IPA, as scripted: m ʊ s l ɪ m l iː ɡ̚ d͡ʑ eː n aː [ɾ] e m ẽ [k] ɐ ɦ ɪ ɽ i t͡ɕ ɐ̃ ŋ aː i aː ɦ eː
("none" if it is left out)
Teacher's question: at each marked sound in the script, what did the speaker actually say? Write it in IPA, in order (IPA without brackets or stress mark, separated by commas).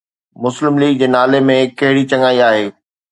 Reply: l, k